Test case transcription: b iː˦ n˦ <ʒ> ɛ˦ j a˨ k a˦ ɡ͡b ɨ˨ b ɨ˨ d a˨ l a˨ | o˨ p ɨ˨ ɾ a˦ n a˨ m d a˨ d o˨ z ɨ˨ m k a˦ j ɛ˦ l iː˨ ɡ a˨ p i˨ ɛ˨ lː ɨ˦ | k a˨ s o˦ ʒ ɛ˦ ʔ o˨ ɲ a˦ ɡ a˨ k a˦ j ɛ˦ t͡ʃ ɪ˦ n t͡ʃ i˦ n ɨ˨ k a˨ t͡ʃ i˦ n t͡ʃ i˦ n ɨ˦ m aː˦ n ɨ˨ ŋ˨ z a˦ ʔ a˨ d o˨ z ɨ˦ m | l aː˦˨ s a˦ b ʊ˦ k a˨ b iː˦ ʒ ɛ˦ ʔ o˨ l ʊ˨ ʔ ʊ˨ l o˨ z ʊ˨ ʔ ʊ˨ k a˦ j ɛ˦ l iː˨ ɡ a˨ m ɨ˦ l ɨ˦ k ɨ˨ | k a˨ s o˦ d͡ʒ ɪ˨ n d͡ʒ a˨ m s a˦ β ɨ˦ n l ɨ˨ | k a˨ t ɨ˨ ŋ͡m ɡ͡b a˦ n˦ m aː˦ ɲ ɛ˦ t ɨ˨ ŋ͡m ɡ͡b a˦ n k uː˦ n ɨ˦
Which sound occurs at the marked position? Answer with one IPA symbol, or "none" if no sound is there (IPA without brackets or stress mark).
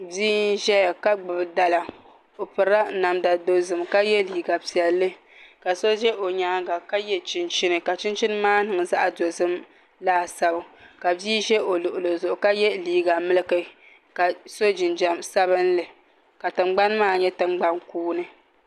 ʒ